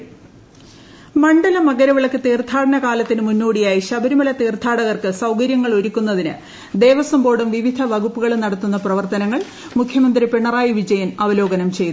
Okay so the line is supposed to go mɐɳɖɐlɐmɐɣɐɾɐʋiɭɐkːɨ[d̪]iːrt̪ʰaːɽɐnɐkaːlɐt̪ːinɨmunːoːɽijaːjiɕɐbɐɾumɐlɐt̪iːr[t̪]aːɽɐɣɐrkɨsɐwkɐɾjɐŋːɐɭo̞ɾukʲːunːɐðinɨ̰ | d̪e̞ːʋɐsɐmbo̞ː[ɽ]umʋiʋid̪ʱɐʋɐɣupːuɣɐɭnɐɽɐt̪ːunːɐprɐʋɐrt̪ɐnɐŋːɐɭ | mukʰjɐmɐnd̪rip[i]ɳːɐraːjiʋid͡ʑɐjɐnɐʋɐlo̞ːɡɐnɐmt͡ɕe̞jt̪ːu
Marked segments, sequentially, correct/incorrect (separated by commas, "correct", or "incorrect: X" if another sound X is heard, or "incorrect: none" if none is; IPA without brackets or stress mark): incorrect: t̪, incorrect: t̪ʰ, correct, incorrect: e